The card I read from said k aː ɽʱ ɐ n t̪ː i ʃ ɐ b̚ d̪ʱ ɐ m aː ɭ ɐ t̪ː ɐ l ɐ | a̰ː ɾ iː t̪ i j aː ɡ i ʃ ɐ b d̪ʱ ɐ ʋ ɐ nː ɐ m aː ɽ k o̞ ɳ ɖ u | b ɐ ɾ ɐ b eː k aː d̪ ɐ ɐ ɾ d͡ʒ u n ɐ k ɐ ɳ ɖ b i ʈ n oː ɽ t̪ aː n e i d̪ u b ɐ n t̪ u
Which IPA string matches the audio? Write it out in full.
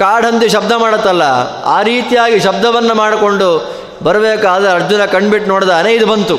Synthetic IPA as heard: k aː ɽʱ ɐ n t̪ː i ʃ ɐ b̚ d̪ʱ ɐ m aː ɽ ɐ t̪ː ɐ lː ɐ | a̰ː ɾ iː t̪ i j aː ɡ i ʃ ɐ b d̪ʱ ɐ ʋ ɐ nː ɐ m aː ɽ k o̞ ɳ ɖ u | b ɐ ɾ ɐ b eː k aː d̪ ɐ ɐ ɾ d͡ʒ u n ɐ k ɐ ɳ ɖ b i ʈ n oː ɽ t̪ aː n e i d̪ u b ɐ n t̪ u